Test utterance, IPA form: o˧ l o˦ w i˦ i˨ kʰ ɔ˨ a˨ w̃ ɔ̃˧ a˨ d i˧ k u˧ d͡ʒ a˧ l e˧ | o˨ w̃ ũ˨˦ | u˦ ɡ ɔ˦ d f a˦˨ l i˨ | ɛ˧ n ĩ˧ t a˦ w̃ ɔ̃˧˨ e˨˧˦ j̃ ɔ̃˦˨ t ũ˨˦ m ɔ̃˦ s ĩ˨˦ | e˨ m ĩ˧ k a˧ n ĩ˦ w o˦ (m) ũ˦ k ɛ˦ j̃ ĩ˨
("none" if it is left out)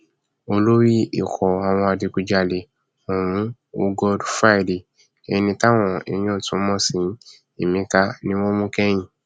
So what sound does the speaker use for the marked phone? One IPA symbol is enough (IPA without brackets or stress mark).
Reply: m